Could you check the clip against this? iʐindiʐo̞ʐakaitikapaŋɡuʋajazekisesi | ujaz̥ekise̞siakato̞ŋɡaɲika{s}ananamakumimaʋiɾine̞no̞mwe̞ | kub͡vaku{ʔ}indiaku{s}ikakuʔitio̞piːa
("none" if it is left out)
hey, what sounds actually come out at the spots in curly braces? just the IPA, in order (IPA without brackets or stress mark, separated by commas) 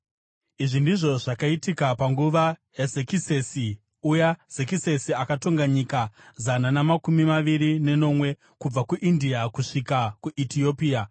z, ʔ, ʂ